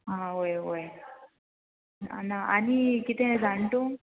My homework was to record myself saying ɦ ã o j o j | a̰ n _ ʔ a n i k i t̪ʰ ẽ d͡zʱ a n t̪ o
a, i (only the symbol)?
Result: a